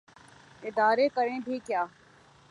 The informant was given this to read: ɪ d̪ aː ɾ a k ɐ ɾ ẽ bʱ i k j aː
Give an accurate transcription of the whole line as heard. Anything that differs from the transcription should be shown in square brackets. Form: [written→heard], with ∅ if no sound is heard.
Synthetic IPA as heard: ɪ d̪ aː ɾ [a→e] k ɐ ɾ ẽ bʱ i k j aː

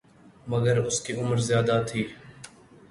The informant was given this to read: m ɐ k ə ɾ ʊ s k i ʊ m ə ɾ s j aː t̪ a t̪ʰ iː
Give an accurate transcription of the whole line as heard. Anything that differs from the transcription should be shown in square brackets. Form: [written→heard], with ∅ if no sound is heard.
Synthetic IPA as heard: m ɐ [k→ɡ] ə ɾ ʊ s k i ʊ m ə ɾ [s→z] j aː [t̪→d̪] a t̪ʰ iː

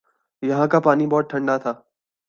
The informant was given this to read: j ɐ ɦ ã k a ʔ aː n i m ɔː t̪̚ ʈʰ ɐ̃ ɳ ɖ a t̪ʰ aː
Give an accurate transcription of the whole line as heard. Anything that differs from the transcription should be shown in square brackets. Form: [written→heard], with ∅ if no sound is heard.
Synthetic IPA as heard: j ɐ ɦ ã k a [ʔ→p] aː n i [m→b] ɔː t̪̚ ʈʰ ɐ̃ ɳ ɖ a t̪ʰ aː

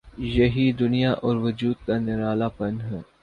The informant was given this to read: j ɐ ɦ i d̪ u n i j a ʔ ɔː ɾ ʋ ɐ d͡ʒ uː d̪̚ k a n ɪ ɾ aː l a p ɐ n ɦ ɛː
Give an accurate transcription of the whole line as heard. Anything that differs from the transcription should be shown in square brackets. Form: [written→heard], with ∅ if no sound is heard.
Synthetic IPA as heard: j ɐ ɦ i d̪ [u→ʊ] n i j a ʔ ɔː ɾ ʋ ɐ d͡ʒ uː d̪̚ k a n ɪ ɾ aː l a p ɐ n ɦ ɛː

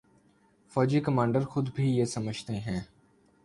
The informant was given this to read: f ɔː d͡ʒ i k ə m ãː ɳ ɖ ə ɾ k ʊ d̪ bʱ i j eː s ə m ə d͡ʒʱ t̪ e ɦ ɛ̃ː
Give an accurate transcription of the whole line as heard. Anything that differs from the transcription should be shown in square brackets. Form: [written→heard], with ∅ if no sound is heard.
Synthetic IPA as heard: f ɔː d͡ʒ i k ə m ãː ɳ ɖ ə ɾ [k→x] ʊ d̪ bʱ i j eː s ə m ə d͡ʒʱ t̪ e ɦ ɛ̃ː

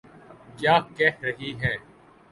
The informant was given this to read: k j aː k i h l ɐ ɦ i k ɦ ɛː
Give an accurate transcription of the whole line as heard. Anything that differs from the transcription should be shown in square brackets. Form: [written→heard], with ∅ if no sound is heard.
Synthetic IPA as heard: k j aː k [i→ɛ] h [l→ɾ] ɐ ɦ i [k→∅] ɦ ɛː

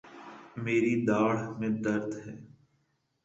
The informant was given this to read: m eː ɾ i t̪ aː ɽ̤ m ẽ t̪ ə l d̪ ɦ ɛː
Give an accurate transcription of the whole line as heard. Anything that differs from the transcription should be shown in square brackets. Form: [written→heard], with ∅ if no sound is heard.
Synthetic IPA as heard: m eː ɾ i [t̪→d̪] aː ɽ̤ m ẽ [t̪→d̪] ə [l→ɾ] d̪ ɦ ɛː

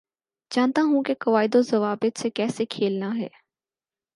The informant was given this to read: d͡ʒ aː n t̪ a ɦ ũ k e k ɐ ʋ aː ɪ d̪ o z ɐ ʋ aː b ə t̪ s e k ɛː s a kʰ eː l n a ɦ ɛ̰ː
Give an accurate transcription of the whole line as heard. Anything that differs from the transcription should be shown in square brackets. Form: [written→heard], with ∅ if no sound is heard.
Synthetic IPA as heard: d͡ʒ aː n t̪ a ɦ ũ k e k ɐ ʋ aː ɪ d̪ o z ɐ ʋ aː b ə t̪ s e k ɛː s [a→e] kʰ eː l n a ɦ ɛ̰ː

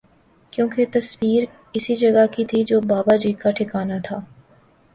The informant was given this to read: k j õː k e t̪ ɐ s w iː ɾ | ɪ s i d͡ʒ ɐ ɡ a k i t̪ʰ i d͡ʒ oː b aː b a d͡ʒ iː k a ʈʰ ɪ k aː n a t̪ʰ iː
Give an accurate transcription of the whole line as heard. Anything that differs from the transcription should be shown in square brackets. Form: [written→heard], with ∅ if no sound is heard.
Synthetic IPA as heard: k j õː k e t̪ ɐ s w iː ɾ | ɪ s i d͡ʒ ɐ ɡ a k i t̪ʰ i d͡ʒ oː b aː b a d͡ʒ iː k a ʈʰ ɪ k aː n a t̪ʰ [iː→aː]

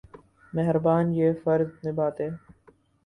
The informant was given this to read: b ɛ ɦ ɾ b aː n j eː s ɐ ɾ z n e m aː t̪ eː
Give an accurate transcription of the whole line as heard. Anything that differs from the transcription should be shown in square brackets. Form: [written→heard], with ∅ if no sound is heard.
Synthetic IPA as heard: [b→m] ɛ ɦ ɾ b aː n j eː [s→f] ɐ ɾ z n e [m→b] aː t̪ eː

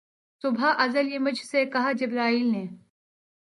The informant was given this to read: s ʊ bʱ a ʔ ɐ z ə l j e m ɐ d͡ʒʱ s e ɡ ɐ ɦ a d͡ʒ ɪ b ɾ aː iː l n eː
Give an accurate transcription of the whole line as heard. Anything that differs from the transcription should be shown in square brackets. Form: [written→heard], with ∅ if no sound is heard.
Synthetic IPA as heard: s ʊ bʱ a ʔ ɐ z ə l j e m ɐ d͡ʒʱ s e [ɡ→k] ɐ ɦ a d͡ʒ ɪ b ɾ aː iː l n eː

